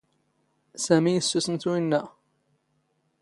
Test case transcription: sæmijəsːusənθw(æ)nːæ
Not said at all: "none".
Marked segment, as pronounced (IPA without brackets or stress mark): i